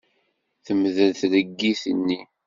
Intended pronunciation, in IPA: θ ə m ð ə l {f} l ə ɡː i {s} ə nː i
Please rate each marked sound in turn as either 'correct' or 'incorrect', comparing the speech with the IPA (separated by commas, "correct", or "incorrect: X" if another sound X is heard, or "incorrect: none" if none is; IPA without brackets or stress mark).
incorrect: θ, incorrect: θ